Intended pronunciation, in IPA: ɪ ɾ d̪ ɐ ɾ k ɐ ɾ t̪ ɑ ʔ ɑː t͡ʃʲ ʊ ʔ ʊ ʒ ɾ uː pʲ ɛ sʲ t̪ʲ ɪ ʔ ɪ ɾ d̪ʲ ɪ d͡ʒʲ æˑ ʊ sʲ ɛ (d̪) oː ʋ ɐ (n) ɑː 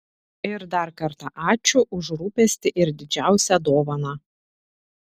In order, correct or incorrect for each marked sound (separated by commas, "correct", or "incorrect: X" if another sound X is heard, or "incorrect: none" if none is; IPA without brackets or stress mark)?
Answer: correct, correct